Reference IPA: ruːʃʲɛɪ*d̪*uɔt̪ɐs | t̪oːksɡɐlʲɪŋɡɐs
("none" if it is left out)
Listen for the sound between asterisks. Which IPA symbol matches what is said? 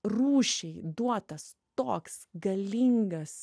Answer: d̪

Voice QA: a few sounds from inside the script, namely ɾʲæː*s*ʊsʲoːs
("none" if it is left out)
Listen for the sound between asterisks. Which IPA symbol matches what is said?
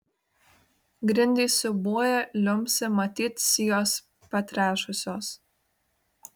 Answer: ʃ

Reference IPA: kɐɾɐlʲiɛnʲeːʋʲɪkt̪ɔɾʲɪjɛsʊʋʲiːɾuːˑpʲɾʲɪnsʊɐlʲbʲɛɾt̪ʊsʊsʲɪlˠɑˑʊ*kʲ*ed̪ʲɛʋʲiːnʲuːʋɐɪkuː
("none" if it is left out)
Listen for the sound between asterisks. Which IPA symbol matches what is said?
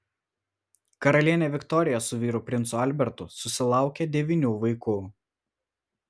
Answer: kʲ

